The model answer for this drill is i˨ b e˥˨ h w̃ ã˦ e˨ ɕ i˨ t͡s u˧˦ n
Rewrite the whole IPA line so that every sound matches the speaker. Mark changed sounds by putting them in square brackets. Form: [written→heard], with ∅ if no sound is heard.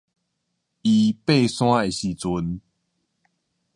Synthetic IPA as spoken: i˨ [b→p] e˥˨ [h→s] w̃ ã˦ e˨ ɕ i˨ t͡s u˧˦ n